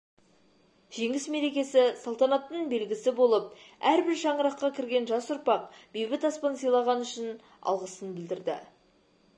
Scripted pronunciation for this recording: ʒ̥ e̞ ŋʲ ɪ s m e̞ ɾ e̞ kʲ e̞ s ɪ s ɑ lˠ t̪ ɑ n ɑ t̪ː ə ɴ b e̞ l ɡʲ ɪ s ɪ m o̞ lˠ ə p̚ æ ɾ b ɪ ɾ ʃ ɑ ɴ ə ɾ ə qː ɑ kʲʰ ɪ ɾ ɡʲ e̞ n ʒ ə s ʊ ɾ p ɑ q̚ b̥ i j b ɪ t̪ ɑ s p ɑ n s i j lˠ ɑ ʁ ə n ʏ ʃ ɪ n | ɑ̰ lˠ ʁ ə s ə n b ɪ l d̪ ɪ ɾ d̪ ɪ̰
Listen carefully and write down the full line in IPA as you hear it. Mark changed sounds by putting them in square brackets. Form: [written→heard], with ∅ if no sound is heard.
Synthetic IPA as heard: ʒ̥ e̞ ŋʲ ɪ s m e̞ ɾ e̞ kʲ e̞ s ɪ s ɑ lˠ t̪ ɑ n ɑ t̪ː ə ɴ b e̞ l ɡʲ ɪ s ɪ [m→b] o̞ lˠ ə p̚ æ ɾ b ɪ ɾ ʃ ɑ ɴ ə ɾ [ə→ɑ] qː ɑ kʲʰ ɪ ɾ ɡʲ e̞ n ʒ [ə→ɑ] s ʊ ɾ p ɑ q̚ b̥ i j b ɪ t̪ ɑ s p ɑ n s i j lˠ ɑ ʁ [ə→ɑ] n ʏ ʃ ɪ n | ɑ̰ lˠ ʁ ə s ə n b ɪ l d̪ ɪ ɾ d̪ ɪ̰

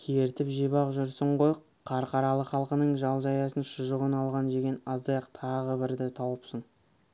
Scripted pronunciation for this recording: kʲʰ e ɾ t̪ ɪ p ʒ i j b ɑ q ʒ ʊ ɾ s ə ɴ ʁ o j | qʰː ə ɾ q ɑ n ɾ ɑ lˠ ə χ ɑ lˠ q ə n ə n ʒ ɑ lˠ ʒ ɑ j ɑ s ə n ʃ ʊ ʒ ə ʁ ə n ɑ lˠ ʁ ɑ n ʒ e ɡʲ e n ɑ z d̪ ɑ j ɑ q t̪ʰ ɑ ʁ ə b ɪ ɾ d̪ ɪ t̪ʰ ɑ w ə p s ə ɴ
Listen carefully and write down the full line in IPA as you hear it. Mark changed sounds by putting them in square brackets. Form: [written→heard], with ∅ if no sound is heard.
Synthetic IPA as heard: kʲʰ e ɾ t̪ ɪ p ʒ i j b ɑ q ʒ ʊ ɾ s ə ɴ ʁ o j | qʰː [ə→ɑ] ɾ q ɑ [n→∅] ɾ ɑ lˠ ə χ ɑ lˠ q ə n ə [n→ɴ] ʒ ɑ lˠ ʒ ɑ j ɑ s ə n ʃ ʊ ʒ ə ʁ ə n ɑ lˠ ʁ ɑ n ʒ e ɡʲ e n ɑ z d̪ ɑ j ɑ q t̪ʰ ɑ ʁ ə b ɪ ɾ d̪ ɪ t̪ʰ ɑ w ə p s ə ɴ

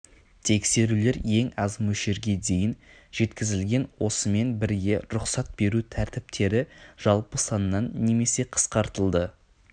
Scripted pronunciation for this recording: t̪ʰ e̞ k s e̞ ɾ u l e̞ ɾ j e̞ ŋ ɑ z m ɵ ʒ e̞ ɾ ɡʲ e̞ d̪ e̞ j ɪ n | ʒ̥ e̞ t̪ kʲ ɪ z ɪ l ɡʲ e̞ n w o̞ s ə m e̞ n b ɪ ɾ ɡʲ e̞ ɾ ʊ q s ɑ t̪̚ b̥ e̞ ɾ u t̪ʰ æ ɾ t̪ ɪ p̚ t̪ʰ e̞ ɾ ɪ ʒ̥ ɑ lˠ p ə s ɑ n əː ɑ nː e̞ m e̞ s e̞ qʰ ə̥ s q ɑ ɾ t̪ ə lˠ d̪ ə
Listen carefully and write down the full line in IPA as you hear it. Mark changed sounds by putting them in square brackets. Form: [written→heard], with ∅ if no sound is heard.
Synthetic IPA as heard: t̪ʰ e̞ k s e̞ ɾ u l e̞ ɾ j e̞ ŋ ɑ z m ɵ [ʒ→ʃ] e̞ ɾ ɡʲ e̞ d̪ e̞ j ɪ n | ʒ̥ e̞ t̪ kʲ ɪ z ɪ l ɡʲ e̞ n w o̞ s ə m e̞ n b ɪ ɾ ɡʲ e̞ ɾ ʊ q s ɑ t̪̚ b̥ e̞ ɾ u t̪ʰ æ ɾ t̪ ɪ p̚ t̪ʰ e̞ ɾ ɪ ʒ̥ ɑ lˠ p ə s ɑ n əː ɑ nː e̞ m e̞ s e̞ qʰ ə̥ s q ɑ ɾ t̪ ə lˠ d̪ ə

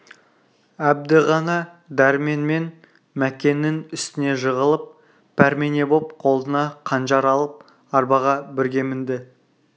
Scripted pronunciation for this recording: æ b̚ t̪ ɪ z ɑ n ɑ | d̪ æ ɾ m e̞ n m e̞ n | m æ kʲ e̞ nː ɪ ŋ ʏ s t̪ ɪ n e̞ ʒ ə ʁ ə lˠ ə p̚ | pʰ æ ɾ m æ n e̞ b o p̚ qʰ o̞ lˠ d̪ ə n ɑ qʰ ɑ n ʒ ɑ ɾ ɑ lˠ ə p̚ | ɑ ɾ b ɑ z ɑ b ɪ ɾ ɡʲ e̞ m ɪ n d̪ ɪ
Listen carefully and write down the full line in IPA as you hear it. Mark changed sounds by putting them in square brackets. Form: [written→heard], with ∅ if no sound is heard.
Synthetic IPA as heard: æ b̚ [t̪→d̪] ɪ [z→ʁ] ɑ n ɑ | d̪ æ ɾ m e̞ n m e̞ n | m æ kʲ e̞ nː ɪ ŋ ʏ s t̪ ɪ n e̞ ʒ ə ʁ ə lˠ ə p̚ | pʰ æ ɾ m [æ→e] n e̞ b o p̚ qʰ o̞ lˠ d̪ ə n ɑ qʰ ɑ n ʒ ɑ ɾ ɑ lˠ ə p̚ | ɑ ɾ b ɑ [z→ʁ] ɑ b ɪ ɾ ɡʲ e̞ m ɪ n d̪ ɪ

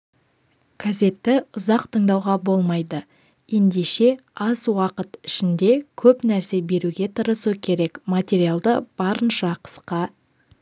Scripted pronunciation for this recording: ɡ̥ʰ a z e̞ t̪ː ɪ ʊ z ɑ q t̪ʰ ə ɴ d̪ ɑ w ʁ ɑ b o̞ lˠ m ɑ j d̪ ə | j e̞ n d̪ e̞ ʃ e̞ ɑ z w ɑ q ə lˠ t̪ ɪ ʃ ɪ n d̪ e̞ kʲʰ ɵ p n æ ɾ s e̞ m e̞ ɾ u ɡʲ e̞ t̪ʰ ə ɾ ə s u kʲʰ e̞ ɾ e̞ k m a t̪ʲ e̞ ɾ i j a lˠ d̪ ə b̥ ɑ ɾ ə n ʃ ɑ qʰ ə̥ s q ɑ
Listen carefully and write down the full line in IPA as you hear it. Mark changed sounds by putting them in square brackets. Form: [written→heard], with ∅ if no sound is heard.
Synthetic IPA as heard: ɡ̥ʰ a z e̞ t̪ː ɪ ʊ z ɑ q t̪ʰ ə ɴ d̪ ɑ w ʁ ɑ b o̞ lˠ m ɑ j d̪ ə | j e̞ n d̪ e̞ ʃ e̞ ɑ z w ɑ q ə [lˠ→∅] t̪ ɪ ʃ ɪ n d̪ e̞ kʲʰ ɵ p n æ ɾ s e̞ [m→b] e̞ ɾ u ɡʲ e̞ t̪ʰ ə ɾ ə s u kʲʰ e̞ ɾ e̞ k m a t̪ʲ e̞ ɾ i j a lˠ d̪ ə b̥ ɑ ɾ ə n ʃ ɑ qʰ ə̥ s q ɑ

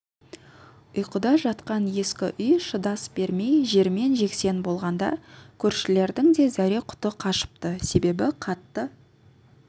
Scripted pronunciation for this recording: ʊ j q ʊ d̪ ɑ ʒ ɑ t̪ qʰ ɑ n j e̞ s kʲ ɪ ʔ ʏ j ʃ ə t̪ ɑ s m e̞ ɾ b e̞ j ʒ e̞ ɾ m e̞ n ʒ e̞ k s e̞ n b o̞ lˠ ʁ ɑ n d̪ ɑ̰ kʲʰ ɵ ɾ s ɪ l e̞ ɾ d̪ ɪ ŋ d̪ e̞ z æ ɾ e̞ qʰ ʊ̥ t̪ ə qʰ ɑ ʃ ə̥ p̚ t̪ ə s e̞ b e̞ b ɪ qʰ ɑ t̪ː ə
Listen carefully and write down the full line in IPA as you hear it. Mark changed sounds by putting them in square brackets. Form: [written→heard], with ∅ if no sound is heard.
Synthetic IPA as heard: ʊ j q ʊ d̪ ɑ ʒ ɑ t̪ [qʰ→q] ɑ n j e̞ s kʲ ɪ ʔ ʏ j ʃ ə [t̪→d̪] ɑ s [m→b] e̞ ɾ [b→m] e̞ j ʒ e̞ ɾ m e̞ n ʒ e̞ k s e̞ n b o̞ lˠ ʁ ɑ n d̪ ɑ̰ kʲʰ ɵ ɾ [s→ʃ] ɪ l e̞ ɾ d̪ ɪ ŋ d̪ e̞ z æ ɾ e̞ qʰ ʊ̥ t̪ ə qʰ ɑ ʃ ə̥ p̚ t̪ ə s e̞ b e̞ b ɪ qʰ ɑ t̪ː ə

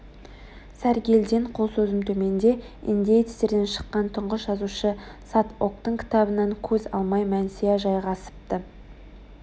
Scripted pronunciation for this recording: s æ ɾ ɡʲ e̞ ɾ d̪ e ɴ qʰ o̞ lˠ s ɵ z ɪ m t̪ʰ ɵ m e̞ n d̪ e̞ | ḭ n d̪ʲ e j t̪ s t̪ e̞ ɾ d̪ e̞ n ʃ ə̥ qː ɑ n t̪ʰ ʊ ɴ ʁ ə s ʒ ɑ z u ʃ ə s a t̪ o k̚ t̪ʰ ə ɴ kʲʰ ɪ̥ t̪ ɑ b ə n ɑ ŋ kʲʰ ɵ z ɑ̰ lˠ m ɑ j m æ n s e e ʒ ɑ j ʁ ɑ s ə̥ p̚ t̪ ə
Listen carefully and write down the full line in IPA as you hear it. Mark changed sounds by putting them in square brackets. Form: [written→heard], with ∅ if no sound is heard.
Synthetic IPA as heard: s æ ɾ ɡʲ e̞ [ɾ→l] d̪ e ɴ qʰ o̞ lˠ s ɵ z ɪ m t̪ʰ ɵ m e̞ n d̪ e̞ | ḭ n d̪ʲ e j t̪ s t̪ e̞ ɾ d̪ e̞ n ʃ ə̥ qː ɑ n t̪ʰ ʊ ɴ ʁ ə s ʒ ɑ z u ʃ ə s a t̪ o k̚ [t̪ʰ→t̪] ə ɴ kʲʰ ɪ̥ t̪ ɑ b ə n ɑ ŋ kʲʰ ɵ z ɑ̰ lˠ m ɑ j m æ n s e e ʒ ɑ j ʁ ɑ s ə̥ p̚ t̪ ə

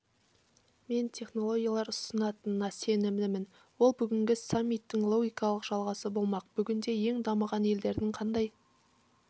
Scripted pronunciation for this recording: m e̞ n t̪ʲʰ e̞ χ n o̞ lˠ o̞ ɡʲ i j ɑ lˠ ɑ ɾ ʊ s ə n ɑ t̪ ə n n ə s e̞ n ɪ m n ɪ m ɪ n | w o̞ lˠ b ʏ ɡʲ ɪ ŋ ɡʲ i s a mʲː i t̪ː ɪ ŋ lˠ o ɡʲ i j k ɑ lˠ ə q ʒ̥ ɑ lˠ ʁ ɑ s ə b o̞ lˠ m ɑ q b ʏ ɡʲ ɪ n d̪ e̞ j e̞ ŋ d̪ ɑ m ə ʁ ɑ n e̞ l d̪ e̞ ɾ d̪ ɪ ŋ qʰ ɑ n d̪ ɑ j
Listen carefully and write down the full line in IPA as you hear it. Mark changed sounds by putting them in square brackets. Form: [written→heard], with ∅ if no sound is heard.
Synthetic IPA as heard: m e̞ n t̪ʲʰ e̞ χ n o̞ lˠ o̞ ɡʲ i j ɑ lˠ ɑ ɾ ʊ s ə n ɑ t̪ ə n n [ə→ɑ] s e̞ n ɪ m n ɪ m ɪ n | w o̞ lˠ b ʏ ɡʲ ɪ ŋ ɡʲ [i→ɪ] s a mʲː i t̪ː ɪ ŋ lˠ o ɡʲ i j k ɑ lˠ ə q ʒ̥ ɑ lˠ ʁ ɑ s ə b o̞ lˠ m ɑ q b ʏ ɡʲ ɪ n d̪ e̞ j e̞ ŋ d̪ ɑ m ə ʁ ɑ n e̞ l d̪ e̞ ɾ d̪ ɪ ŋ qʰ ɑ n d̪ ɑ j

